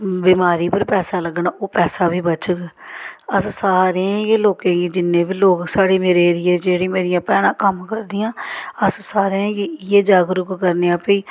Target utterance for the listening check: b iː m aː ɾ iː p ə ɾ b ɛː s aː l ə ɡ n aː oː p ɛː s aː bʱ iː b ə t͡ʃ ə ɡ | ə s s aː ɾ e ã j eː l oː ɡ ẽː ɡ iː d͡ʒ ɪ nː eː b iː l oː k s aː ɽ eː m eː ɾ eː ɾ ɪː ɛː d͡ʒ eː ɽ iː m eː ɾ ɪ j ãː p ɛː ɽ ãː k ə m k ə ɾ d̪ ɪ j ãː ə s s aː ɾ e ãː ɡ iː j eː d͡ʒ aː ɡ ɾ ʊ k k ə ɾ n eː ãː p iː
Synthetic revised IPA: b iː m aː ɾ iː p ə ɾ p ɛː s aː l ə ɡ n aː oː p ɛː s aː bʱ iː b ə t͡ʃ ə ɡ | ə s s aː ɾ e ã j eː l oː k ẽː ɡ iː d͡ʒ ɪ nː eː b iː l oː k s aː ɽ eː m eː ɾ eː ɾ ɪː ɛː d͡ʒ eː ɽ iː m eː ɾ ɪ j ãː p ɛː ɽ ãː k ə m k ə ɾ d̪ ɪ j ãː ə s s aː ɾ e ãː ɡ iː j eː d͡ʒ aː ɡ ɾ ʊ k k ə ɾ n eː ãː p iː